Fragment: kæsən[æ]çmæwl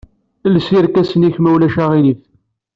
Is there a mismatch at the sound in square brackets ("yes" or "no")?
yes